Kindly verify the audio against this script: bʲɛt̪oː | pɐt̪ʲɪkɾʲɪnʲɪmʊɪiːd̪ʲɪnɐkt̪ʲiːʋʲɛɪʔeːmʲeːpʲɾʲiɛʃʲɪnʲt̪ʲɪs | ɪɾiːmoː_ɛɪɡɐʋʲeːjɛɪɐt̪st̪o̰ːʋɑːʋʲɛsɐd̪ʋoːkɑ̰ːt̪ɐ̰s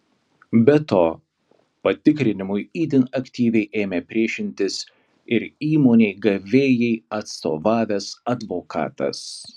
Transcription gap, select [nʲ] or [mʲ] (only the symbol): nʲ